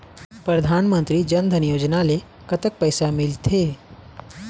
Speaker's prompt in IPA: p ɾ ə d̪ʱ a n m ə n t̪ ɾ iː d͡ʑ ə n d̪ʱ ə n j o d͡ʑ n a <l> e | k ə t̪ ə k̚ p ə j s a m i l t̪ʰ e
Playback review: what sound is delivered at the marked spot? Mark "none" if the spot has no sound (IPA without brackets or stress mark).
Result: l